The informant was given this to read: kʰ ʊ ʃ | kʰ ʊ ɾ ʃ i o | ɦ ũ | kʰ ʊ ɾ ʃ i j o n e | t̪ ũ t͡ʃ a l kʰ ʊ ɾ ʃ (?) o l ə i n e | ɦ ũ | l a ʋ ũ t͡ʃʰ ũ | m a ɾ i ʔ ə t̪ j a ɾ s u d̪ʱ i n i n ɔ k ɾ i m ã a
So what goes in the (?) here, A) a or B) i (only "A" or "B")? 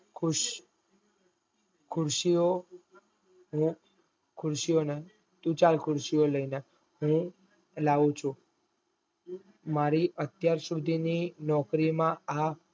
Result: B